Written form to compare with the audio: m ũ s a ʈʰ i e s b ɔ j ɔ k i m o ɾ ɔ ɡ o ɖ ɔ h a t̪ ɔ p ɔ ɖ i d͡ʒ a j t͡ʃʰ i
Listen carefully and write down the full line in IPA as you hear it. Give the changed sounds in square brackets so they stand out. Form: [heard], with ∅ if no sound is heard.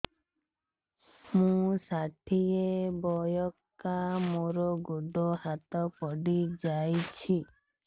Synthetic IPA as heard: m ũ s a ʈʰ i e [∅] b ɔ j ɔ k [a] m o ɾ ɔ ɡ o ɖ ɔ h a t̪ ɔ p ɔ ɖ i d͡ʒ a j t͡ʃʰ i